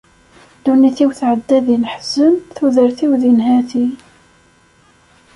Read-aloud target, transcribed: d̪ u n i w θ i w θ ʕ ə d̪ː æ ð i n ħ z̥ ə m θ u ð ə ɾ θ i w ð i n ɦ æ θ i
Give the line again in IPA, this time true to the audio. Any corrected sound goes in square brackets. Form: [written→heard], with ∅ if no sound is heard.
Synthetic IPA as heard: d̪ u n i [w→∅] θ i w θ ʕ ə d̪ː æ ð i n ħ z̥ ə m θ u ð ə ɾ θ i w ð i n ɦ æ θ i